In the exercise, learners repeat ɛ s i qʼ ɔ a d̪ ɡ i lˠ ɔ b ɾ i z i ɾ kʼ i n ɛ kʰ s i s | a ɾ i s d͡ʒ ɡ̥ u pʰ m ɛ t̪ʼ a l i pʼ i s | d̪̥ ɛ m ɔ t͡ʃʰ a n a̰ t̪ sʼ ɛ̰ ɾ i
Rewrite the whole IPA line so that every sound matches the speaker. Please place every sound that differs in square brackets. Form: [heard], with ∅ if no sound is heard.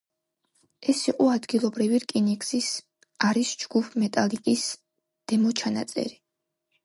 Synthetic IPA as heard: ɛ s i qʼ ɔ a d̪ ɡ i lˠ ɔ b ɾ i [v] i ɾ kʼ i n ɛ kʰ s i s | a ɾ i s d͡ʒ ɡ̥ u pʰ m ɛ t̪ʼ a l i [kʼ] i s | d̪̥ ɛ m ɔ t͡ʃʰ a n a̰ t̪ sʼ ɛ̰ ɾ i